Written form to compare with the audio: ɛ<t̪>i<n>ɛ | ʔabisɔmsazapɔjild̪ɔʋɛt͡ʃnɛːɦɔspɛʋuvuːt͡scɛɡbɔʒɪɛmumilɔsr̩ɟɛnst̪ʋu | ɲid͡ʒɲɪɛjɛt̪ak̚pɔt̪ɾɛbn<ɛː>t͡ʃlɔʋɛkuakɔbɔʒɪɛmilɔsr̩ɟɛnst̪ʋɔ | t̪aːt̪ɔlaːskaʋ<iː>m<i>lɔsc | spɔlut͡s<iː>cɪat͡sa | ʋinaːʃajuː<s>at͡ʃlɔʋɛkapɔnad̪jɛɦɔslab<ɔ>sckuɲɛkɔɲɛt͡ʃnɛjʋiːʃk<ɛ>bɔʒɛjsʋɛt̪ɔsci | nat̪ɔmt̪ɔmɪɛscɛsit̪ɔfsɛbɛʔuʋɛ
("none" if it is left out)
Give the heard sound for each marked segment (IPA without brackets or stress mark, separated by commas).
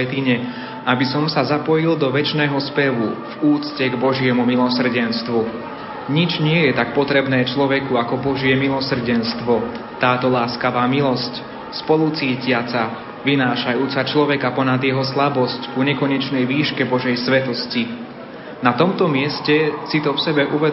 t̪, ɲ, ɛː, aː, i, iː, t͡s, ɔ, ɛ